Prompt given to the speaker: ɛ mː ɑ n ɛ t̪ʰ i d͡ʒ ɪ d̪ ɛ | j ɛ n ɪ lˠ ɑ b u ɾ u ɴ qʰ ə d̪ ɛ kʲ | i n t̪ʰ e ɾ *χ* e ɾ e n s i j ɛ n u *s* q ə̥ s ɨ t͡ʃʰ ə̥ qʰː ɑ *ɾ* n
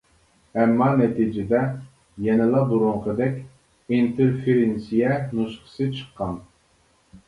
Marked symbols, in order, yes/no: no, no, no

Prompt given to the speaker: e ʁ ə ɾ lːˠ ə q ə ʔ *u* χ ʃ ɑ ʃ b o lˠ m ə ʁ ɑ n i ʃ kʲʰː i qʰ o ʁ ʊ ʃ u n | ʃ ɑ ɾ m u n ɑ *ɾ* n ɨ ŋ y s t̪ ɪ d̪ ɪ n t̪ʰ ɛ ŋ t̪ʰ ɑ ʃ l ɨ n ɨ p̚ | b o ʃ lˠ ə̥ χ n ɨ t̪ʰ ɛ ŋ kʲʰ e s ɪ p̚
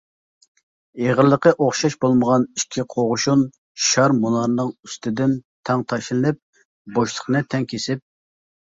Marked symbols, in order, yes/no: no, yes

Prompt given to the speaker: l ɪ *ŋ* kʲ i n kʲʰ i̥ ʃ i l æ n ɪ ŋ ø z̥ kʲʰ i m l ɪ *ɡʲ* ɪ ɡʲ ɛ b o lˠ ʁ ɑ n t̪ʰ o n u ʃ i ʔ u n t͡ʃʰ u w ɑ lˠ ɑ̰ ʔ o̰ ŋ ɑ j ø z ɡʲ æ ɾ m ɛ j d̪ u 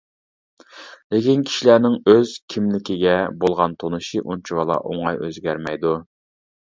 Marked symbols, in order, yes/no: no, no

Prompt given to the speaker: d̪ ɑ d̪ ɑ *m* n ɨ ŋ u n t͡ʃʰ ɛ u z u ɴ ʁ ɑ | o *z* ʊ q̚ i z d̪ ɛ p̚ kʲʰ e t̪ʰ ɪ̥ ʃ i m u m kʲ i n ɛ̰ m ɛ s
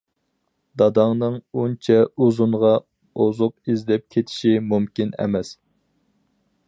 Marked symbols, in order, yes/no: no, yes

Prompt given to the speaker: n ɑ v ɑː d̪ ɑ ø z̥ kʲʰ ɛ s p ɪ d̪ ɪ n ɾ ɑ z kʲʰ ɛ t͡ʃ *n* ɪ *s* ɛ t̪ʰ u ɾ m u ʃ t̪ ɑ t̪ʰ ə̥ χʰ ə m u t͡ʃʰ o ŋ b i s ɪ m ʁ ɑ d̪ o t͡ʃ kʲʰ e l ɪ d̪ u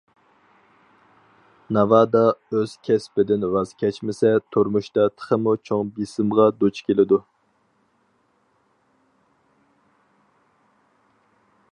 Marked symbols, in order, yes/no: no, yes

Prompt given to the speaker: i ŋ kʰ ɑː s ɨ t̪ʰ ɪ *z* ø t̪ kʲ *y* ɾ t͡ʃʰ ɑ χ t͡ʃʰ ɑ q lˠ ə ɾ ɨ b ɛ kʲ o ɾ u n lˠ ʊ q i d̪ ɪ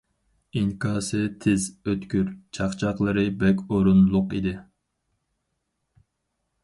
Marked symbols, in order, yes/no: yes, yes

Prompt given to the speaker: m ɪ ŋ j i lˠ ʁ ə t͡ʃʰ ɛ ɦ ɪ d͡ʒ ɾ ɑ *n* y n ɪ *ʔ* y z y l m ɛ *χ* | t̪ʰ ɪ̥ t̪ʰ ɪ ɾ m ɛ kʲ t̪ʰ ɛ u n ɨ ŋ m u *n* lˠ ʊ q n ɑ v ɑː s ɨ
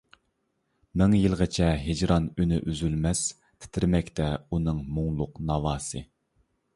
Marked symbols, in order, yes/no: yes, yes, no, no

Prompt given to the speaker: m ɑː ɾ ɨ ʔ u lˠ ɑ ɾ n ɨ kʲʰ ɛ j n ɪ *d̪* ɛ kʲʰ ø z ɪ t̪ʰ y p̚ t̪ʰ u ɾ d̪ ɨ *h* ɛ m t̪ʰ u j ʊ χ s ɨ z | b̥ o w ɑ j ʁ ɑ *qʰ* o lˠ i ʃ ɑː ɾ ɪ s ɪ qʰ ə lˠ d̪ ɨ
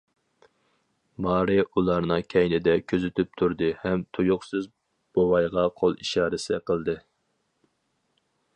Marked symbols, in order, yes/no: yes, yes, yes

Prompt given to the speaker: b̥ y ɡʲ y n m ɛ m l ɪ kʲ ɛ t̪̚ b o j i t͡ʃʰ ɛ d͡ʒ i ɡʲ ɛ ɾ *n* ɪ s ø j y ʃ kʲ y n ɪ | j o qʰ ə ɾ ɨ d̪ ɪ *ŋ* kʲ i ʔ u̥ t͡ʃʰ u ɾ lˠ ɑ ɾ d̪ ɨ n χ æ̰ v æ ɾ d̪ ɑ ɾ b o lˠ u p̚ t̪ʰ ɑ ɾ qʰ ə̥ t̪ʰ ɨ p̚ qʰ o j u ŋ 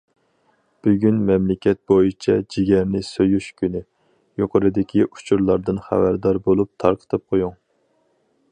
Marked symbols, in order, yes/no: yes, no

